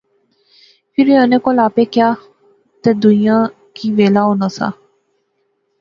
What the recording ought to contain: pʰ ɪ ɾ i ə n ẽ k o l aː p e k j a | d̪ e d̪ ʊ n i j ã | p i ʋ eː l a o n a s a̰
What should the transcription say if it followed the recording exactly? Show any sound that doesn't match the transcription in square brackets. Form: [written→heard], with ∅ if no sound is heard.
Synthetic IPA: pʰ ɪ ɾ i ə n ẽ k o l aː p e k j a | [d̪→t̪] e d̪ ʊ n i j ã | [p→k] i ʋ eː l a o n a s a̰